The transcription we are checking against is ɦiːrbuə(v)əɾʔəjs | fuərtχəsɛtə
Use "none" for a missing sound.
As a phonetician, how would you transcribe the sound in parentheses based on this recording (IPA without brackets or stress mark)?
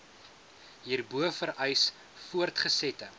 f